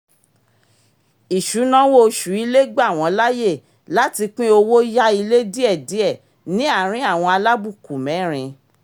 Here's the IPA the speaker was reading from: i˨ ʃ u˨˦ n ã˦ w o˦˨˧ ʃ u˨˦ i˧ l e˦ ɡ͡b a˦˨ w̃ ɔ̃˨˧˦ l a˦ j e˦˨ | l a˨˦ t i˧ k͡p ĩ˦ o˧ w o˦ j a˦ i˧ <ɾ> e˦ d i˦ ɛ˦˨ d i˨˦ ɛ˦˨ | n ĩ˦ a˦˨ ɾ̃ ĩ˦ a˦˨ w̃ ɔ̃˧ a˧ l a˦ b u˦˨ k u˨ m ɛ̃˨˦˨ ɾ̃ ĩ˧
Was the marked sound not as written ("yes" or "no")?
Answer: yes